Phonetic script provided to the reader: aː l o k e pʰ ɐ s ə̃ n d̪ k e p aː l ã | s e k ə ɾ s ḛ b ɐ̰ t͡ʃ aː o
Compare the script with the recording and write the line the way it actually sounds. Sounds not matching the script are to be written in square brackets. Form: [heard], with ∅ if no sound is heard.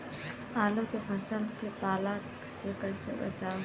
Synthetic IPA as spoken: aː l o k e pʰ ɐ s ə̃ n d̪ k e p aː l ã | s e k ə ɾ s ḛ b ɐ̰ t͡ʃ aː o